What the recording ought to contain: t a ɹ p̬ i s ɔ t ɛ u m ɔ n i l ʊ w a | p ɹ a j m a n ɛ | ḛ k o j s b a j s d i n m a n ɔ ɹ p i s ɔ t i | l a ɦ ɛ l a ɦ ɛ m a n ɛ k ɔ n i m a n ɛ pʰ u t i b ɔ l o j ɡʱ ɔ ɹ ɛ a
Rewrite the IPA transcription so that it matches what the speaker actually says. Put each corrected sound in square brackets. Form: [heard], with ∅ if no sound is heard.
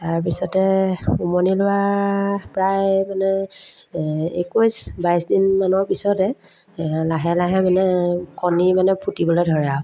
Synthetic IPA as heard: t a ɹ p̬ i s ɔ t ɛ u m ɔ n i l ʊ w a | p ɹ a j m a n ɛ | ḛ k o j s b a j s d i n m a n ɔ ɹ p i s ɔ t [ɛ] | l a ɦ ɛ l a ɦ ɛ m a n ɛ k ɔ n i m a n ɛ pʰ u t i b ɔ l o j [dʱ] ɔ ɹ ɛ a